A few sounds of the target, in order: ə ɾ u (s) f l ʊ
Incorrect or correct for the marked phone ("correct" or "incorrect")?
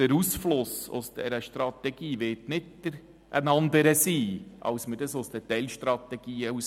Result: correct